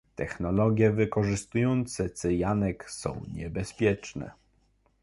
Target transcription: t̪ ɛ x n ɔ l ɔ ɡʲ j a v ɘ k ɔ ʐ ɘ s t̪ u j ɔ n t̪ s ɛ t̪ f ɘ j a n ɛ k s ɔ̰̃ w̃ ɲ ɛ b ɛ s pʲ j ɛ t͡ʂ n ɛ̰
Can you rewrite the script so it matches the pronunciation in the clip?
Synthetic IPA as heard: t̪ ɛ x n ɔ l ɔ ɡʲ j ɛ v ɘ k ɔ ʐ ɘ s t̪ u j ɔ n t̪ s ɛ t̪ s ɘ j a n ɛ k s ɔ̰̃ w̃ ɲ ɛ b ɛ s pʲ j ɛ t͡ʂ n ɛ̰